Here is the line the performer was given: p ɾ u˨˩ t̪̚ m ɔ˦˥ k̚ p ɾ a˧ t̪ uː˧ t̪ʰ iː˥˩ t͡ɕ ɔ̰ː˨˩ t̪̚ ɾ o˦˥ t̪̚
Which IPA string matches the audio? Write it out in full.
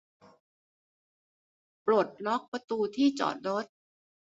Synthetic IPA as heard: p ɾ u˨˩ t̪̚ n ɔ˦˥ k̚ p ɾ a˧ t̪ uː˧ t̪ʰ iː˥˩ t͡ɕ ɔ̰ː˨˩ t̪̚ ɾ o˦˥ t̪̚